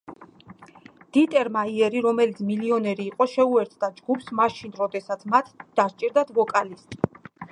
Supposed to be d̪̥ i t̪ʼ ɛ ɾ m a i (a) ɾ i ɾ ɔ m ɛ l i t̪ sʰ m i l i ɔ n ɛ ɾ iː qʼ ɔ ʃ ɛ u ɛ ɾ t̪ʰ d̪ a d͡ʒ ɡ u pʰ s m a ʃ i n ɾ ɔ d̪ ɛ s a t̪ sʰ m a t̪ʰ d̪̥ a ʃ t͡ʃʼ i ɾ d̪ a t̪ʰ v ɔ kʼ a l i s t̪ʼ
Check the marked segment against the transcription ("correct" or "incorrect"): incorrect